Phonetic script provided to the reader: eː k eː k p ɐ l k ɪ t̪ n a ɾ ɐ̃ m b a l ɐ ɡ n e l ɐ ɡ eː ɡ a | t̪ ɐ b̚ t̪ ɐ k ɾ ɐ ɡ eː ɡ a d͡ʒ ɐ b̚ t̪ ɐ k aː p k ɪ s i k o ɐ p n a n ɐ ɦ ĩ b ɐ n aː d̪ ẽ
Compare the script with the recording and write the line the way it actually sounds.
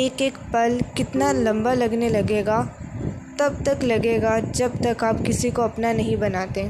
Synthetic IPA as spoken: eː k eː k p ɐ l k ɪ t̪ n a l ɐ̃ m b a l ɐ ɡ n e l ɐ ɡ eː ɡ a | t̪ ɐ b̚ t̪ ɐ k l ɐ ɡ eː ɡ a d͡ʒ ɐ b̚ t̪ ɐ k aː p k ɪ s i k o ɐ p n a n ɐ ɦ ĩ b ɐ n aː t̪ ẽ